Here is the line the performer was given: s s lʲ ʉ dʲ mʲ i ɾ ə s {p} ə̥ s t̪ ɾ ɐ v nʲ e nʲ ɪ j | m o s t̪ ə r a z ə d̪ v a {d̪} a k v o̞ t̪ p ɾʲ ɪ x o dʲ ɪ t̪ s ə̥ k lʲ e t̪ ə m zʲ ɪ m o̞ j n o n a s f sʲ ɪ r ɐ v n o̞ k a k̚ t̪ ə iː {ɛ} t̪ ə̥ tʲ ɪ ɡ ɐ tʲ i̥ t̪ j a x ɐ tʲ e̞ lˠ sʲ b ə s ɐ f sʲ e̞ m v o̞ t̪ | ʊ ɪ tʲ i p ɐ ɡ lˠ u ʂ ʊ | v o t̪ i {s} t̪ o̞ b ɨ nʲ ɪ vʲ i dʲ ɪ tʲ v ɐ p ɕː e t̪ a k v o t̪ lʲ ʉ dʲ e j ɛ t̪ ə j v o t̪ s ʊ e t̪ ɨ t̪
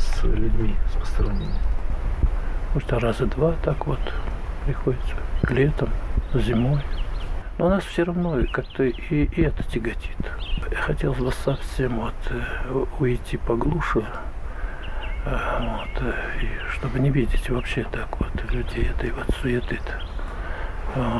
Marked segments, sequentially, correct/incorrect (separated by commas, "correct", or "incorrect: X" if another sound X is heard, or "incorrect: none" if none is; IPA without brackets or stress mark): correct, incorrect: t̪, correct, incorrect: ʂ